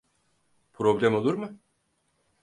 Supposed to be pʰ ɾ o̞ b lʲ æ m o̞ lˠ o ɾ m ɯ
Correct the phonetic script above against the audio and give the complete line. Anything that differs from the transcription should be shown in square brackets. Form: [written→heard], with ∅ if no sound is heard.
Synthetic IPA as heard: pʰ ɾ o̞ b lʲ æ m o̞ lˠ [o→u] ɾ m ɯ